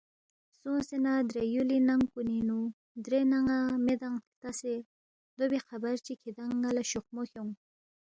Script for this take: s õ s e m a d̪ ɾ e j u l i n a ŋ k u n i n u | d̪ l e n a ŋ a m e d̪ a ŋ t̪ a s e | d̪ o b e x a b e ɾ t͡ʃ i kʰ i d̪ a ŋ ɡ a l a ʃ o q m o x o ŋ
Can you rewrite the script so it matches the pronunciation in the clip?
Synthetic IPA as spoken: s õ s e n a d̪ ɾ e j u l i n a ŋ k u n i n u | d̪ ɾ e n a ŋ a m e d̪ a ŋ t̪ a s e | d̪ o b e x a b a ɾ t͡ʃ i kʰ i d̪ a ŋ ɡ a l a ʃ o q m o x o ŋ